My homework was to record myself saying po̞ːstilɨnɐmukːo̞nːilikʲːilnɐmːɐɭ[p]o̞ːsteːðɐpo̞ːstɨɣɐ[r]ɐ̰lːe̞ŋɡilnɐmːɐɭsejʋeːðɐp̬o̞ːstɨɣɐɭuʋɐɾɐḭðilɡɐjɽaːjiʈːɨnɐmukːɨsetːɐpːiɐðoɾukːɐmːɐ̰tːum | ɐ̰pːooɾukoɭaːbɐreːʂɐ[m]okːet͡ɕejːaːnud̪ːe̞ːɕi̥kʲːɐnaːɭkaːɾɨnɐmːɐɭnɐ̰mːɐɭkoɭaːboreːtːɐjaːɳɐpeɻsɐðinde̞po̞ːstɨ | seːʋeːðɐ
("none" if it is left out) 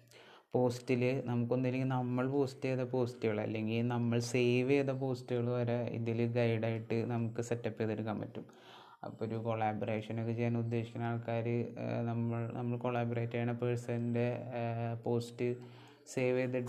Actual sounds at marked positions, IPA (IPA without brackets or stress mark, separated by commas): p, ɭ, n